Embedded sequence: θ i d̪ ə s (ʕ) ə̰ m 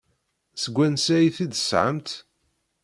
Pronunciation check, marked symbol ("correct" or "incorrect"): correct